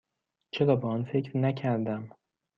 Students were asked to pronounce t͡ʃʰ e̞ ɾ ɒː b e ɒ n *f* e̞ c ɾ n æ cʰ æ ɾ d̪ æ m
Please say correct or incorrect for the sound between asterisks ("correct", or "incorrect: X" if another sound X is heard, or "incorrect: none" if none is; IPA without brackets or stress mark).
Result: correct